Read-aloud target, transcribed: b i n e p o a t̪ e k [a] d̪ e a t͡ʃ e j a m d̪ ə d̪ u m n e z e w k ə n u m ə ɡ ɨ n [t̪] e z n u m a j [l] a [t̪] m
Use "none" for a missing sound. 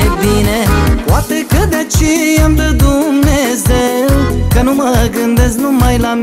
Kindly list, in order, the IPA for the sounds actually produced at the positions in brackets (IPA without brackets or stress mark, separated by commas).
ə, d̪, l, none